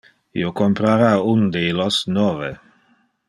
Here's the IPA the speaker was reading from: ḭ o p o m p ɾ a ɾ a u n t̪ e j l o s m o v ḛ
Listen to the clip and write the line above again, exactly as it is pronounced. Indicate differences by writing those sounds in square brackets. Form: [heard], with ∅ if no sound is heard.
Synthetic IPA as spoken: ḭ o [k] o m p ɾ a ɾ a u n [d̪] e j l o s [n] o v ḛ